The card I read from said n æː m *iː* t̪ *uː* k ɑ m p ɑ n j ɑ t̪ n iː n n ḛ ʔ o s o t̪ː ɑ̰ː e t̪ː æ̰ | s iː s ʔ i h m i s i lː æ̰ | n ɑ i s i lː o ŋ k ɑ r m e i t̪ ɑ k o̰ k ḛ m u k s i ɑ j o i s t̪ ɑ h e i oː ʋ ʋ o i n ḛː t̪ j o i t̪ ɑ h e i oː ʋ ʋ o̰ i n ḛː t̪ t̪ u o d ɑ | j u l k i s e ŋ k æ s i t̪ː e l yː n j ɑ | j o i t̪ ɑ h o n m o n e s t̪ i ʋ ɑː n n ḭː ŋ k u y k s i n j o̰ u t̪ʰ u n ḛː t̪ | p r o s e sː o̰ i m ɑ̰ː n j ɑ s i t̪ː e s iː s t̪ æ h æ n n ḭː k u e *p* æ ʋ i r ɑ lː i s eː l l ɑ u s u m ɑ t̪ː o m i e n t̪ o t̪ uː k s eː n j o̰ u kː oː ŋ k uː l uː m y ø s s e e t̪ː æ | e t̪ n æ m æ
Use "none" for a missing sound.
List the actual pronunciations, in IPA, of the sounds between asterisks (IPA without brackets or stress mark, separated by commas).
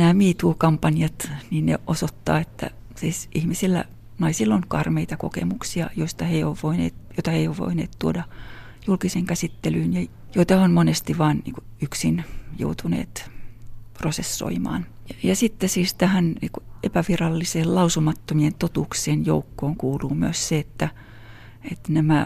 iː, uː, p